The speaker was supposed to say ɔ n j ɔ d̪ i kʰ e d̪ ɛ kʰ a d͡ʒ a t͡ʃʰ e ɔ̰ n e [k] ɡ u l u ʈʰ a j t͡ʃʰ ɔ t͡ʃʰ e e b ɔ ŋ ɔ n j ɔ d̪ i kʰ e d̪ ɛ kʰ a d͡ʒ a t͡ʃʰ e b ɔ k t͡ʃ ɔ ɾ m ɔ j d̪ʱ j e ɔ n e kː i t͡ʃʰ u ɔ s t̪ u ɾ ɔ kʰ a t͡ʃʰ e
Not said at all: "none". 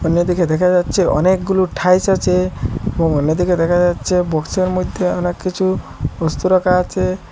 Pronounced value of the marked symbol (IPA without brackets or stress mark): k